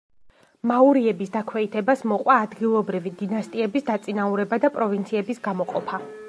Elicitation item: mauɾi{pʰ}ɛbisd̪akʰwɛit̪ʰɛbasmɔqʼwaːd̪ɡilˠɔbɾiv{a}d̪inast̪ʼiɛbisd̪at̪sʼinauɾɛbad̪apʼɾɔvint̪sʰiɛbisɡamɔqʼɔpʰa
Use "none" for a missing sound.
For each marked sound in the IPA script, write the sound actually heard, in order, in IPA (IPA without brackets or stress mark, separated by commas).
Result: none, i